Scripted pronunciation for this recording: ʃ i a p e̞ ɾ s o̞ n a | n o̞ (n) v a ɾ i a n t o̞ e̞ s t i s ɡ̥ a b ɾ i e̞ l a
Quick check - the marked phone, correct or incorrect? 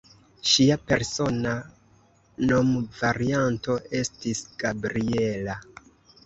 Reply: incorrect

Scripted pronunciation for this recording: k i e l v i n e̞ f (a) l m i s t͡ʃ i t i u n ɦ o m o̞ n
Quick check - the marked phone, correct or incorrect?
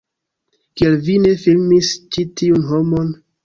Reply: incorrect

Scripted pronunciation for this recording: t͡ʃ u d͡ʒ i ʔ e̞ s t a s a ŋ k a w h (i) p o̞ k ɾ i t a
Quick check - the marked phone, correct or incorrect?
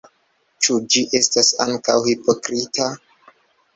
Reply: correct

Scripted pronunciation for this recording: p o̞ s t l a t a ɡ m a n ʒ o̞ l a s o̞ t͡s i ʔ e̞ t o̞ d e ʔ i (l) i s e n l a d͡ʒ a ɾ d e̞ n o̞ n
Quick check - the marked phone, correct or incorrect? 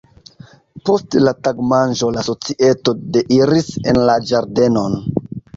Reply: incorrect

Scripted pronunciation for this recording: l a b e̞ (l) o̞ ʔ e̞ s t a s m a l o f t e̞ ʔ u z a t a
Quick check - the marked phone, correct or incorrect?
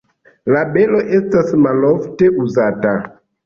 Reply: correct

